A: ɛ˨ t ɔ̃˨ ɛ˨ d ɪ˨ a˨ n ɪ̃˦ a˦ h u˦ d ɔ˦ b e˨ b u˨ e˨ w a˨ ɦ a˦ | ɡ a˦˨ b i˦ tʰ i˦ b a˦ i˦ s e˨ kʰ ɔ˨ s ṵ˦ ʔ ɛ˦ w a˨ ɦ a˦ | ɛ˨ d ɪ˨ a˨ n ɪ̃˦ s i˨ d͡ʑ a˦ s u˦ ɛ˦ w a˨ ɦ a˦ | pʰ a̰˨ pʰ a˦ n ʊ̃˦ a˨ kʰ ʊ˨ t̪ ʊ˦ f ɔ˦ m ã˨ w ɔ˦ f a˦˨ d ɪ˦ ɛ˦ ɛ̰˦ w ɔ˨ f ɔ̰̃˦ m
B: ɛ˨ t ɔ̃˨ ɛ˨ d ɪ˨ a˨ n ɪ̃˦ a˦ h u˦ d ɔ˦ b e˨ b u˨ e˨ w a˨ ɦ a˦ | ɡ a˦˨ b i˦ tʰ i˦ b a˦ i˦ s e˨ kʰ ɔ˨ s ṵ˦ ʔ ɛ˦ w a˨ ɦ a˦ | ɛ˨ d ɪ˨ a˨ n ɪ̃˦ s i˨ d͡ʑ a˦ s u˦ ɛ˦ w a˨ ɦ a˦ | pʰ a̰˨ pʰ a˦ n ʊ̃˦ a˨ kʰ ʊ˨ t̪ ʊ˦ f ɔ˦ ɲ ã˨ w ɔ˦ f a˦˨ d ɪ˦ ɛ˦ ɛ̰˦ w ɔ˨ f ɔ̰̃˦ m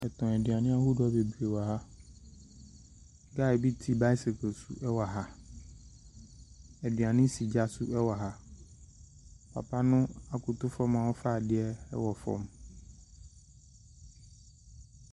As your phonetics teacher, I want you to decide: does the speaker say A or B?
A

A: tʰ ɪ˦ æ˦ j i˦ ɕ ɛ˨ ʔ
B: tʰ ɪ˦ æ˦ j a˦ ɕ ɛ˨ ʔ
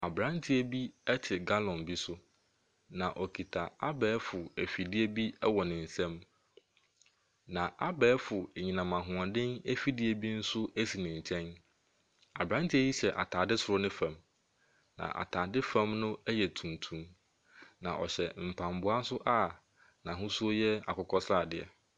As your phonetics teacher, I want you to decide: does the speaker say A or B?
A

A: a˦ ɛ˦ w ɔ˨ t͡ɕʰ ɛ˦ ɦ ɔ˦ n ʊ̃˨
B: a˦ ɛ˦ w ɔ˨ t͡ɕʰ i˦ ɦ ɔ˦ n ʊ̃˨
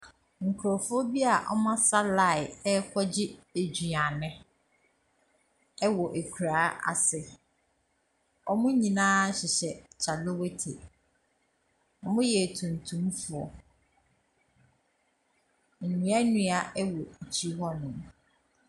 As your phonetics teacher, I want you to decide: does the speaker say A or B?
B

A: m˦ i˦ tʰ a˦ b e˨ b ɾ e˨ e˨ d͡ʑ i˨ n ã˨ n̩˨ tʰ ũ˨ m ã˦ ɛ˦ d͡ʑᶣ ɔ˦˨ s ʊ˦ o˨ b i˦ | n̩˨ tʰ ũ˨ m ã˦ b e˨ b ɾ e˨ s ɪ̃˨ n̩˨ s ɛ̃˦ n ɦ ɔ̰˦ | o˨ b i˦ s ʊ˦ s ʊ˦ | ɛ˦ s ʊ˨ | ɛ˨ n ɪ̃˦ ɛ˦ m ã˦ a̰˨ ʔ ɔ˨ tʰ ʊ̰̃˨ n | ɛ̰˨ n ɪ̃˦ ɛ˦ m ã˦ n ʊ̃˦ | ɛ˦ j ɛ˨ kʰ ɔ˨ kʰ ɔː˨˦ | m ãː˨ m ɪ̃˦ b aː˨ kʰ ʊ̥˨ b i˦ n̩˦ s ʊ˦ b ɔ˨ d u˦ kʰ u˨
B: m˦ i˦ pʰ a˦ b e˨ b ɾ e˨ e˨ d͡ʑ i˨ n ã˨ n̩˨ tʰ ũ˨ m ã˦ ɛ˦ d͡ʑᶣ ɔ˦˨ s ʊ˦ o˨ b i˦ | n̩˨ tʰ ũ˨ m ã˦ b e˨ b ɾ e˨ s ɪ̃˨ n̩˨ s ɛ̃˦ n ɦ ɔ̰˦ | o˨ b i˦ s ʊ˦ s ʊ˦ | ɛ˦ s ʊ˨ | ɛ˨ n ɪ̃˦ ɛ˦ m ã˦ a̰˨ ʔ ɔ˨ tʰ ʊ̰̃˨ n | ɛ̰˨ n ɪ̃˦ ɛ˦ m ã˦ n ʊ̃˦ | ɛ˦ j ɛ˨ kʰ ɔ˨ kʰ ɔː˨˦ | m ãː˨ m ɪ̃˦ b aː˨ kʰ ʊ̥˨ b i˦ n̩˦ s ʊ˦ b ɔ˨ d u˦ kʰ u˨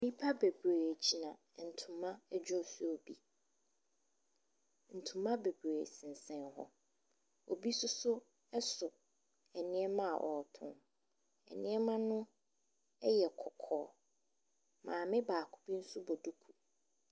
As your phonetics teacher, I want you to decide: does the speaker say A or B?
B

